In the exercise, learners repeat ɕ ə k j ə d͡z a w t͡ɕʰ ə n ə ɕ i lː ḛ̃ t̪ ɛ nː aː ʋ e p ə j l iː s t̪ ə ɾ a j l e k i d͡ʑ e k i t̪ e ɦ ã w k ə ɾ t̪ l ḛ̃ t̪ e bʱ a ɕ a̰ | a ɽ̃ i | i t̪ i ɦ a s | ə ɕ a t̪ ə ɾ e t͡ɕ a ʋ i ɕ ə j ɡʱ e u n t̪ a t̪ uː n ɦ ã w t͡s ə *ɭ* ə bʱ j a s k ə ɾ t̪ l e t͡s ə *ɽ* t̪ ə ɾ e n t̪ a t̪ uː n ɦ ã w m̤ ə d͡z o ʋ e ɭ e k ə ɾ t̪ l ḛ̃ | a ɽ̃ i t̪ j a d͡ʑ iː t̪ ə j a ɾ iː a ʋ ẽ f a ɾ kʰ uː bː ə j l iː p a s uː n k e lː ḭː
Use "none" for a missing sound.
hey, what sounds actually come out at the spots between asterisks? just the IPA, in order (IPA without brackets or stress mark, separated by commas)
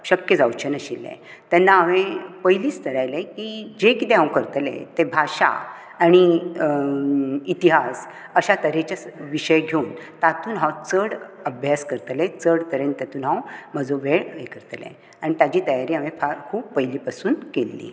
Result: ɽ, ɽ